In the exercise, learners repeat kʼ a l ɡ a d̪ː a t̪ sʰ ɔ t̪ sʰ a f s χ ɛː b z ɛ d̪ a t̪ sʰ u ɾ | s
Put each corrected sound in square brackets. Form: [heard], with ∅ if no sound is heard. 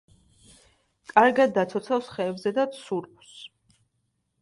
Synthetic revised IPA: kʼ a [ɾ] ɡ a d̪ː a t̪ sʰ ɔ t̪ sʰ a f s χ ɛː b z ɛ d̪ a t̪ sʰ u ɾ | s